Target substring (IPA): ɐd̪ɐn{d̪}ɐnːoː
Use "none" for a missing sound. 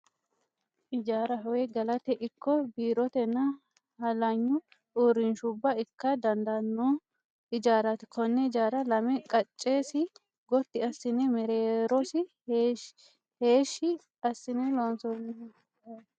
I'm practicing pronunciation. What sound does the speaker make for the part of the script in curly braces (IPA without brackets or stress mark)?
d̪